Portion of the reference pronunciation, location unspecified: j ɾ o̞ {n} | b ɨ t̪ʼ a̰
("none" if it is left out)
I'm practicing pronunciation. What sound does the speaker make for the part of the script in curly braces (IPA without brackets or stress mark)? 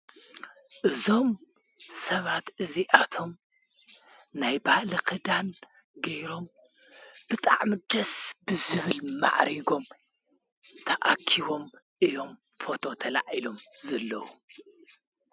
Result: m